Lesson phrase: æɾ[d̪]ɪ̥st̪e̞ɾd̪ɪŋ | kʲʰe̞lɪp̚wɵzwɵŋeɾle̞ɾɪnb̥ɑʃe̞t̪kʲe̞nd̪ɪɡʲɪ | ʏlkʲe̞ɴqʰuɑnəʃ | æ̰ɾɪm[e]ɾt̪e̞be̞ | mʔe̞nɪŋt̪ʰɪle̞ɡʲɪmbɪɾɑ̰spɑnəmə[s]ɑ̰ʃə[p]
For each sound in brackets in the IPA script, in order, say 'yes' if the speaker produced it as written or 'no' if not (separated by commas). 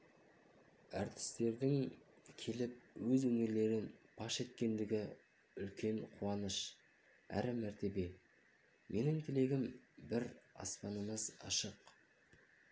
no, no, no, no